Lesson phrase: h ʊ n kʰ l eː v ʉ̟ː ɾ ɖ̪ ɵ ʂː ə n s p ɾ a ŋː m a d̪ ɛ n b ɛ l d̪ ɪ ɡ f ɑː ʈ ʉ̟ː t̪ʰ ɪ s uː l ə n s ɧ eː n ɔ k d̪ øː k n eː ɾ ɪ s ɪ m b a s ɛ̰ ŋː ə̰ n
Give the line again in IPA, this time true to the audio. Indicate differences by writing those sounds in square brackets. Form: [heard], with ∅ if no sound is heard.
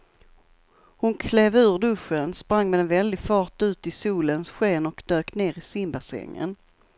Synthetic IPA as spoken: h ʊ n kʰ l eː v ʉ̟ː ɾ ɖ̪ ɵ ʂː ə n s p ɾ a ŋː m [ɛ] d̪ ɛ n [v] ɛ l d̪ ɪ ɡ f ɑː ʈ ʉ̟ː [t̪] ɪ s uː l ə n s ɧ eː n ɔ k d̪ øː k n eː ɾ ɪ s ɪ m b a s ɛ̰ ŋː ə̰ n

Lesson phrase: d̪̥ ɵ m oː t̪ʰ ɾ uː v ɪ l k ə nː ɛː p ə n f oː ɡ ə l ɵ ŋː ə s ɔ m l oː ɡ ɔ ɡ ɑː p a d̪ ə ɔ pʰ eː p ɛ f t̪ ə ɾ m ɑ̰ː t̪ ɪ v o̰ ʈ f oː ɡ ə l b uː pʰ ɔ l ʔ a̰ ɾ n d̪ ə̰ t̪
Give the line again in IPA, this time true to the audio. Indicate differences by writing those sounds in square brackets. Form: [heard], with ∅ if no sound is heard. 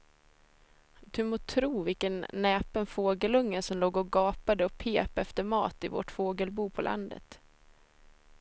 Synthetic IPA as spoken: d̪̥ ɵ m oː t̪ʰ ɾ uː v ɪ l k ə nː ɛː p ə n f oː ɡ ə l ɵ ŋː ə s ɔ m l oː ɡ ɔ ɡ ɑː p a d̪ ə ɔ pʰ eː p ɛ f t̪ ə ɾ m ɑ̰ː t̪ ɪ v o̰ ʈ f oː ɡ ə l b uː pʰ ɔ l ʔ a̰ [∅] n d̪ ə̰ t̪

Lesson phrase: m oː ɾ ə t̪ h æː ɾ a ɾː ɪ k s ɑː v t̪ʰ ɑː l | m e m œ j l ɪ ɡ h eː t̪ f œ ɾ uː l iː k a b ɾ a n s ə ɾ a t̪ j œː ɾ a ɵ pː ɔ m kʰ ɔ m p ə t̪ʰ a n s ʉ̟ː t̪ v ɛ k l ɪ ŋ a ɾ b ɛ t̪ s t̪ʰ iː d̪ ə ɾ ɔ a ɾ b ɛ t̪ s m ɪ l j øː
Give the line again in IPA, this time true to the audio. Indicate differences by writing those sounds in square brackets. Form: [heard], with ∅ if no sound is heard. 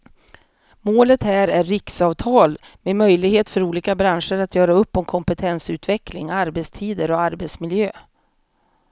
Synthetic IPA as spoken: m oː [l] ə t̪ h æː ɾ [æ] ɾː ɪ k s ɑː v t̪ʰ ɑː l | m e m œ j l ɪ ɡ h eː t̪ f œ ɾ uː l iː k a b ɾ a n [ʂ] ə ɾ a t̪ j œː ɾ a ɵ pː ɔ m kʰ ɔ m p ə t̪ʰ [ɛ] n s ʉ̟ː t̪ v ɛ k l ɪ ŋ a ɾ b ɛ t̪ s t̪ʰ iː d̪ ə ɾ ɔ a ɾ b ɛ t̪ s m ɪ l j øː

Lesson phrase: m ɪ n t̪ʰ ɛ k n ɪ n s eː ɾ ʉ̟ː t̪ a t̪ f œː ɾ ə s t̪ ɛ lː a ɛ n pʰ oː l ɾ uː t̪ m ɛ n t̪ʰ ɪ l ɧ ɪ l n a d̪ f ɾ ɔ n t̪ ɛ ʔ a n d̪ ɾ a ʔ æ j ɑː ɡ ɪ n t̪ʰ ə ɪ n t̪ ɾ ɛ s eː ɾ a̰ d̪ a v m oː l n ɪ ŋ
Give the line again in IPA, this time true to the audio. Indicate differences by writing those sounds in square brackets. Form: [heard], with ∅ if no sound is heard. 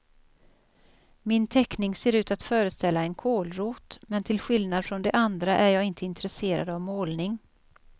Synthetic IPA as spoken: m ɪ n t̪ʰ ɛ k n ɪ [ŋ] s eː ɾ ʉ̟ː t̪ a t̪ f œː ɾ ə s t̪ ɛ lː a ɛ n [kʰ] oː l ɾ uː t̪ m ɛ n t̪ʰ ɪ l ɧ ɪ l n a d̪ f ɾ ɔ n [d̪] ɛ ʔ a n d̪ ɾ a ʔ æ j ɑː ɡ ɪ n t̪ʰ ə ɪ n t̪ ɾ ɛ s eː ɾ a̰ d̪ a v m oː l n ɪ ŋ

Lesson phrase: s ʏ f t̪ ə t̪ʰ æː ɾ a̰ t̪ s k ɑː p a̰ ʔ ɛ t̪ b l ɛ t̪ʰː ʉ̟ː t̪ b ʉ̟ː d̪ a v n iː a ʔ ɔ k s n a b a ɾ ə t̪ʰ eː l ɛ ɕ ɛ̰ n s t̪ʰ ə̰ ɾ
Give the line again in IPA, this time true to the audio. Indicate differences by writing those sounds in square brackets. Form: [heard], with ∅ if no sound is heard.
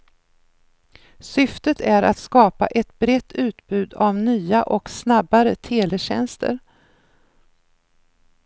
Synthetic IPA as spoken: s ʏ f t̪ ə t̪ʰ [æ] ɾ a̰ t̪ s k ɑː p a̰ ʔ ɛ t̪ b [ɾ] ɛ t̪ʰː ʉ̟ː t̪ b ʉ̟ː d̪ a v n [yː] a ʔ ɔ k s n a b a ɾ ə t̪ʰ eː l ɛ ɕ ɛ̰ n s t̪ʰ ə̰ ɾ

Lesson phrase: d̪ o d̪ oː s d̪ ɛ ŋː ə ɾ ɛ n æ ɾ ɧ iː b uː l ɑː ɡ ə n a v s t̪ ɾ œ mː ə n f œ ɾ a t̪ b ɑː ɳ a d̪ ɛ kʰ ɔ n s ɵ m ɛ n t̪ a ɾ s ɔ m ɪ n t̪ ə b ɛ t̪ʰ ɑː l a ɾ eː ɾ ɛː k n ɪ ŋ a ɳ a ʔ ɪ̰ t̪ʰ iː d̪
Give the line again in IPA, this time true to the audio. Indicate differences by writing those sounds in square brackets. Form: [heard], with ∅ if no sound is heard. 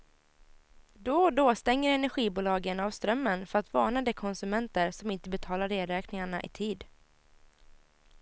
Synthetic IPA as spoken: d̪ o d̪ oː s [t̪] ɛ ŋː ə ɾ ɛ n æ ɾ ɧ iː b uː l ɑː ɡ ə n a v s t̪ ɾ œ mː ə n f œ ɾ a t̪ [v] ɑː ɳ a d̪ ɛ kʰ ɔ n s ɵ m ɛ n t̪ [ə] ɾ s ɔ m ɪ n t̪ ə b ɛ t̪ʰ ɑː l a ɾ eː ɾ ɛː k n ɪ ŋ a ɳ a ʔ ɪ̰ t̪ʰ iː d̪

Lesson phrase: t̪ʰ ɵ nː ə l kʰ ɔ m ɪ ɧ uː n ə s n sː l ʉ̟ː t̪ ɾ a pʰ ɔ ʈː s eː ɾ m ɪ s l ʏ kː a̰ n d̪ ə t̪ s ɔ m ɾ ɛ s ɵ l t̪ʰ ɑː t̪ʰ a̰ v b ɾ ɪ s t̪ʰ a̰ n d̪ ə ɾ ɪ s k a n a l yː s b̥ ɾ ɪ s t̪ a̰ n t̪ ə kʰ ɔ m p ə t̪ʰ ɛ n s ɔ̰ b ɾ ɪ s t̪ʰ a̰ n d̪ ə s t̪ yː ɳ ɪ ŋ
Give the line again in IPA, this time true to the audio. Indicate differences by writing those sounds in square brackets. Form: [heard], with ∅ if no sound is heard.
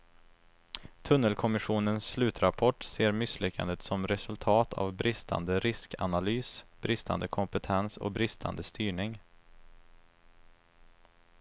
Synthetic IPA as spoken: t̪ʰ ɵ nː ə l kʰ ɔ m ɪ ɧ uː n ə [∅] n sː l ʉ̟ː t̪ ɾ a pʰ ɔ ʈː s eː ɾ m ɪ s l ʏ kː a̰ n d̪ ə t̪ s ɔ m ɾ ɛ s ɵ l t̪ʰ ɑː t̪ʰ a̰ v b ɾ ɪ s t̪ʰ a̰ n d̪ ə ɾ ɪ s k a n a l yː s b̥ ɾ ɪ s t̪ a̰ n [d̪] ə kʰ ɔ m p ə t̪ʰ ɛ n s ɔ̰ b ɾ ɪ s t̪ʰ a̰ n d̪ ə s t̪ yː ɳ ɪ ŋ

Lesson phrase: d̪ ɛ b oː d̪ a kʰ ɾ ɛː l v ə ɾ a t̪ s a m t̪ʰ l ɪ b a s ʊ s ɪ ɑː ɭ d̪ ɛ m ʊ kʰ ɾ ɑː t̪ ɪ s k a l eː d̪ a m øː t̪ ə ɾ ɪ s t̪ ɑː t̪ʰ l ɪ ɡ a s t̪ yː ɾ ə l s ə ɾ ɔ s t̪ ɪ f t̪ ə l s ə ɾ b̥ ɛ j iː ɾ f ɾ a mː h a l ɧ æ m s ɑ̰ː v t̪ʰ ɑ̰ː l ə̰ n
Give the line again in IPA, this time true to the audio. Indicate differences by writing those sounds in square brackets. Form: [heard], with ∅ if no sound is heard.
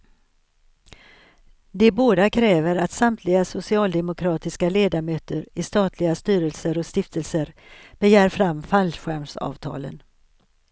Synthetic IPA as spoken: d̪ ɛ b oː d̪ a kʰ ɾ ɛː [∅] v ə ɾ a t̪ s a m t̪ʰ l ɪ [ɡ] a s ʊ s ɪ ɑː [l] d̪ ɛ m ʊ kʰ ɾ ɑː t̪ ɪ s k a l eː d̪ a m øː t̪ ə ɾ ɪ s t̪ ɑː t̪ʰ l ɪ ɡ a s t̪ yː ɾ ə l s ə ɾ ɔ s t̪ ɪ f t̪ ə l s ə ɾ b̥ ɛ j [æː] ɾ f ɾ a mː [f] a l ɧ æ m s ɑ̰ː v t̪ʰ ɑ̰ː l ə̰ n

